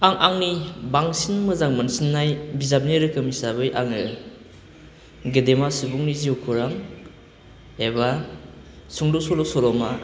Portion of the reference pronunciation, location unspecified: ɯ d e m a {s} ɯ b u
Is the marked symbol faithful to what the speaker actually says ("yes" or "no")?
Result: yes